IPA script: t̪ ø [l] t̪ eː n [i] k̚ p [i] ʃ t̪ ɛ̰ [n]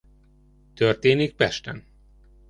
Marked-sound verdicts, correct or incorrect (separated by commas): incorrect, correct, incorrect, correct